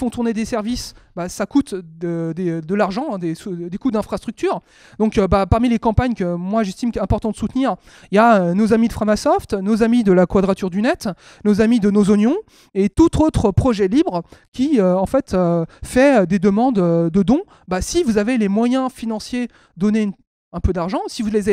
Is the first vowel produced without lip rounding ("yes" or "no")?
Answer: no